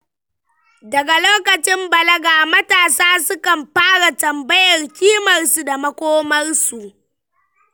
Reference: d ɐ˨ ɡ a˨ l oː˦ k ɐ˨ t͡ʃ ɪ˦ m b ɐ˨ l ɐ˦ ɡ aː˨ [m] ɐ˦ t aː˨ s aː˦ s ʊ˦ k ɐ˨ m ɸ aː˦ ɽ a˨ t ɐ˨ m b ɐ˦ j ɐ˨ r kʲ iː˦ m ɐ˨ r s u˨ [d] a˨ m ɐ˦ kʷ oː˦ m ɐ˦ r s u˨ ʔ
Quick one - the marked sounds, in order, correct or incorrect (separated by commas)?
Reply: correct, correct